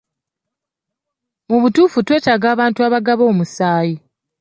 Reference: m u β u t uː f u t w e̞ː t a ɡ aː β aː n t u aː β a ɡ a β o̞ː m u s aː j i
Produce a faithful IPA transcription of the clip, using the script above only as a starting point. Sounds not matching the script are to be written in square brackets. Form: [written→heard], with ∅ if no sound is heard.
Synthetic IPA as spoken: m u β u t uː f u t w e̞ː t a ɡ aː β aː n t u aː β a ɡ a β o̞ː m u s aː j i

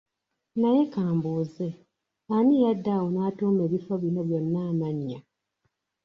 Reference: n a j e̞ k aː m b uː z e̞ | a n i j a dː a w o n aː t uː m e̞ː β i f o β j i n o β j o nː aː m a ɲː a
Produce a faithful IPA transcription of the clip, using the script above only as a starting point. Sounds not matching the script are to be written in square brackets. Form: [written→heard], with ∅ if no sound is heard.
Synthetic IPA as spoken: n a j e̞ k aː m b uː z e̞ | a n i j a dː a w o n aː t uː m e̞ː β i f o β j i n o β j o nː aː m a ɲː a

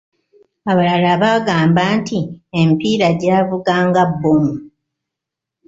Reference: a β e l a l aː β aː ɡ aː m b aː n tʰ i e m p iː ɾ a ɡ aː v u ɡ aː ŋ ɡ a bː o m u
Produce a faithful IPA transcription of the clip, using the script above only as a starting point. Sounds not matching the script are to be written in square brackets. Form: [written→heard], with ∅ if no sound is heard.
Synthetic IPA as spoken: a β [e→a] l a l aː β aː ɡ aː m b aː n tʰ i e m p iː ɾ a [ɡ→ɟ] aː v u ɡ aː ŋ ɡ a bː o m u

